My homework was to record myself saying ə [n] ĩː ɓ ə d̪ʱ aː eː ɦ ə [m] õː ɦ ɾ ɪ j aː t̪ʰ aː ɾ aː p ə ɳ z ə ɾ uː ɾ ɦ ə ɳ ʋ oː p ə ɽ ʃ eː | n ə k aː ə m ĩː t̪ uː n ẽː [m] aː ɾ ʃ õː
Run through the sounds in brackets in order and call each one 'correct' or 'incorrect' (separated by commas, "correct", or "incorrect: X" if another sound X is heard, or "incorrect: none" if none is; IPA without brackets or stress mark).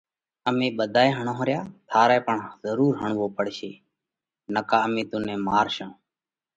incorrect: m, incorrect: ɳ, correct